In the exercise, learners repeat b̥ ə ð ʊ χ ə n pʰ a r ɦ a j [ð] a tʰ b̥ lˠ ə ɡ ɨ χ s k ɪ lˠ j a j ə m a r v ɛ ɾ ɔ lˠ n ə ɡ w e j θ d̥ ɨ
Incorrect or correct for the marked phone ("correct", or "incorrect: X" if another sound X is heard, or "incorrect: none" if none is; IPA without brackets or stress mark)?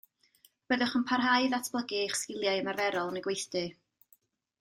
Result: correct